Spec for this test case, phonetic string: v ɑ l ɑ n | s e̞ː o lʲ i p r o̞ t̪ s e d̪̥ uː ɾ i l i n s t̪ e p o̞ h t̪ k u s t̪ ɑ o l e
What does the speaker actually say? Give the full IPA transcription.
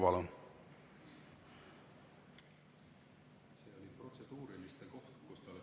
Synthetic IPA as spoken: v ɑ l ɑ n | s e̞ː o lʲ i p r o̞ t̪ s e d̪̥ uː ɾ i l i s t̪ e k o̞ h t̪ k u s t̪ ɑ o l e